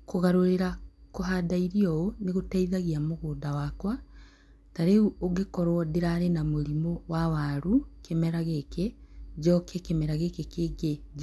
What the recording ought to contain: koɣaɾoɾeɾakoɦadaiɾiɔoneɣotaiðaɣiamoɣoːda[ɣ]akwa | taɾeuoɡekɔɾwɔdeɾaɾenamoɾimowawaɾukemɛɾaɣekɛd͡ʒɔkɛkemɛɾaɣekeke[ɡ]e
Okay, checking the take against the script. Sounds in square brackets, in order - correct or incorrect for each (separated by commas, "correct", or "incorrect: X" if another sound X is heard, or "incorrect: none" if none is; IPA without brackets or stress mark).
incorrect: w, correct